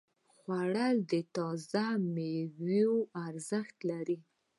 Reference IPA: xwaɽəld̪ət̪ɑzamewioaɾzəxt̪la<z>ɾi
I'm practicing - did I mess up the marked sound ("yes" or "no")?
yes